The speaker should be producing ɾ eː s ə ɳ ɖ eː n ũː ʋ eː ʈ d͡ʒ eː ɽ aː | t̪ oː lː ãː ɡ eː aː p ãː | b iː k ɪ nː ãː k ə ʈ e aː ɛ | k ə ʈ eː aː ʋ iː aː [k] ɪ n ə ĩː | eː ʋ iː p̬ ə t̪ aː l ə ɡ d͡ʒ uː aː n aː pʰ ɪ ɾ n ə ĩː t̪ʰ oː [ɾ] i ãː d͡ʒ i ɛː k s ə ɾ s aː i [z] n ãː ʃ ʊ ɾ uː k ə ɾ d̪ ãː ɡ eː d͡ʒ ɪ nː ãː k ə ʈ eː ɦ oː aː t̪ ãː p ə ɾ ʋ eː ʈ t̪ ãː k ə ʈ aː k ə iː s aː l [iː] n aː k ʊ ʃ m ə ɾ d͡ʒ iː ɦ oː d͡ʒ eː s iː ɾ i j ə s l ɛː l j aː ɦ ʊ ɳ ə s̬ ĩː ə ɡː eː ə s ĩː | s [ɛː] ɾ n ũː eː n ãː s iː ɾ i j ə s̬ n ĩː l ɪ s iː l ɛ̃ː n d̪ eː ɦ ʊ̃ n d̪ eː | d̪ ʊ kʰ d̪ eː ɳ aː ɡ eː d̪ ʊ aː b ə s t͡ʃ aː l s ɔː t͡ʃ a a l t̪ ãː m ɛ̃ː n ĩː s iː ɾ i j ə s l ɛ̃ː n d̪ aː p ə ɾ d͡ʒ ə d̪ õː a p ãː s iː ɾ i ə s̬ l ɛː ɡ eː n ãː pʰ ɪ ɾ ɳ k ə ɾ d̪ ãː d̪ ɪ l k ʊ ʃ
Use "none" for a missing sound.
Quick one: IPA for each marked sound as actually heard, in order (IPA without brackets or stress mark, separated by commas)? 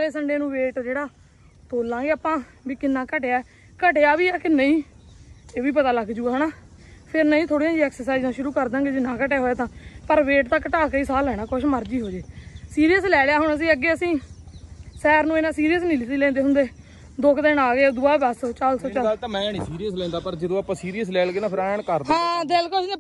k, ɽ, z, ɛː, ɛː